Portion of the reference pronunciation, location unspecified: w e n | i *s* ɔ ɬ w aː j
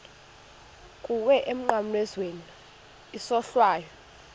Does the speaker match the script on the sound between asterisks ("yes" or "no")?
yes